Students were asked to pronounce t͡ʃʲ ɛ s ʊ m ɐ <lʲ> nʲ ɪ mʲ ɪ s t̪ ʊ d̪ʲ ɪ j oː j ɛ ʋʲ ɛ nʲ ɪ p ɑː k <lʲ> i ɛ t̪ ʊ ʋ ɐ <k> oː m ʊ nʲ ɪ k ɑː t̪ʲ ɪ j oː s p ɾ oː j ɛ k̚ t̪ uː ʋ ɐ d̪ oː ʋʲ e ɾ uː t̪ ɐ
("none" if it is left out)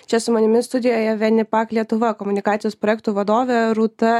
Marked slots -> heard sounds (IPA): none, lʲ, k

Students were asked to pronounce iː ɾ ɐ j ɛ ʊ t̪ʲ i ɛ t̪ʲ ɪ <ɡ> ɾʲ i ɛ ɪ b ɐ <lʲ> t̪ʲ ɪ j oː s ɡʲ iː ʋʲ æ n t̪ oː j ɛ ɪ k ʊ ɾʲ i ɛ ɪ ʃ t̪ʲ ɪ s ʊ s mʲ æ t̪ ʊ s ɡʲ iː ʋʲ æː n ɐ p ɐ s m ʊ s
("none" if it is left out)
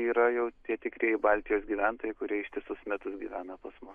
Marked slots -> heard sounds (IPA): k, lʲ

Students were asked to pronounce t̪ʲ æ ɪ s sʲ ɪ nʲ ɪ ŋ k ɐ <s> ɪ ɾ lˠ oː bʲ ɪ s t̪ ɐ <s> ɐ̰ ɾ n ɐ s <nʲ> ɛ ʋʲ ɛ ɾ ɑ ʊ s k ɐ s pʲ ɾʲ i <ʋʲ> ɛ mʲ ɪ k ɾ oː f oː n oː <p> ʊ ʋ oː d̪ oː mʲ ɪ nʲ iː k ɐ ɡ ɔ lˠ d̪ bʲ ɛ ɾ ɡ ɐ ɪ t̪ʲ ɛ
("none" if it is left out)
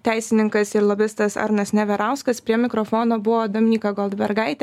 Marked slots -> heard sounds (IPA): s, s, nʲ, none, b

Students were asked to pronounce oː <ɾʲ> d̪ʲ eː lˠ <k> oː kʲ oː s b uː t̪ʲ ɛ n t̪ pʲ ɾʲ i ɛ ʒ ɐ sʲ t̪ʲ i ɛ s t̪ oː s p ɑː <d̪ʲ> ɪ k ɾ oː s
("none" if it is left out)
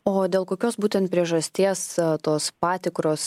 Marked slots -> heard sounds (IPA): none, k, t̪ʲ

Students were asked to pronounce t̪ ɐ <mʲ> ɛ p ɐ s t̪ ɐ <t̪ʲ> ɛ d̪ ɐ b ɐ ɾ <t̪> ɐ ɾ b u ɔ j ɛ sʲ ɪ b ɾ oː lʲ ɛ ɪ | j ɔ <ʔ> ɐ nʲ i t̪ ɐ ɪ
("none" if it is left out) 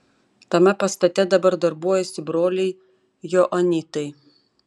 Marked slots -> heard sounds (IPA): mʲ, t̪ʲ, d̪, ʔ

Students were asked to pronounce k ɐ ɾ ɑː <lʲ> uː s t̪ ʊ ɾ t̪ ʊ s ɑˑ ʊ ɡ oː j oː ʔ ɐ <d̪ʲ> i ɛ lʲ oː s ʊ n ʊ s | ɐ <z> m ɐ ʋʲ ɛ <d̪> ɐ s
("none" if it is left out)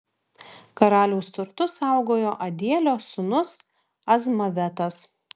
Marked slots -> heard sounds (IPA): lʲ, d̪ʲ, z, t̪

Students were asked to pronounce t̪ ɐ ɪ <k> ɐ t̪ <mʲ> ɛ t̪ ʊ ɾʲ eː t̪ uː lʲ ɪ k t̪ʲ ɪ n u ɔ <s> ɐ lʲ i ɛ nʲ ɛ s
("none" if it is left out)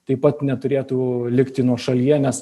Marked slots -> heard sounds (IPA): p, nʲ, ʃ

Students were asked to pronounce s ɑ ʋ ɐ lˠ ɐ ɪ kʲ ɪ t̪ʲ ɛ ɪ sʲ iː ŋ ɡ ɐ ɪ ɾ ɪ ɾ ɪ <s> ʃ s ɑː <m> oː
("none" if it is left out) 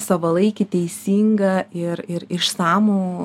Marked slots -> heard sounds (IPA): none, m

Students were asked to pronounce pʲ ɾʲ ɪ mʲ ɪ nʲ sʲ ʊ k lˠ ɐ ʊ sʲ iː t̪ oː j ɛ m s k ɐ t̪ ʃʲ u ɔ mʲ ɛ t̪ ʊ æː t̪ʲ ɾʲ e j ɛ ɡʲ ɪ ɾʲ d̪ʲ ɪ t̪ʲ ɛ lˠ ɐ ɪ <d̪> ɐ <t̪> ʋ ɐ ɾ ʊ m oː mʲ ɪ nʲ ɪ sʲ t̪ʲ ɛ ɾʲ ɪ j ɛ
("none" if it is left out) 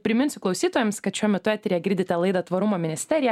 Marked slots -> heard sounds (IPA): d̪, t̪

